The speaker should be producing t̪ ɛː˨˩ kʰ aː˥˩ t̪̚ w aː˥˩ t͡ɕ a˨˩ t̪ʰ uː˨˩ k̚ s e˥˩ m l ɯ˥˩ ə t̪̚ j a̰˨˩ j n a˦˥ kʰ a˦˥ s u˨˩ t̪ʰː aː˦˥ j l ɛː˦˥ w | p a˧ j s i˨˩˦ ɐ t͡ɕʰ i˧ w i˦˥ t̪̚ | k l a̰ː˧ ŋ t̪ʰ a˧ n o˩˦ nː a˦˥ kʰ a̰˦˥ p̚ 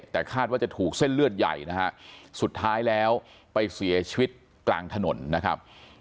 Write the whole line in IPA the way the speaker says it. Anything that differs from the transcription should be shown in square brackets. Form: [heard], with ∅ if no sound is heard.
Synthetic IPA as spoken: t̪ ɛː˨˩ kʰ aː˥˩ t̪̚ w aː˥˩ t͡ɕ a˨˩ t̪ʰ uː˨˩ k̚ s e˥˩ [n] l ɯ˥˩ ə t̪̚ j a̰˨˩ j n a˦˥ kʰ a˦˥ s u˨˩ t̪ʰː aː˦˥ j l ɛː˦˥ w | p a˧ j s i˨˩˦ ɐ t͡ɕʰ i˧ w i˦˥ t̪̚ | k l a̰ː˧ ŋ t̪ʰ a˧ n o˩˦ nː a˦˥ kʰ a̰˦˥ p̚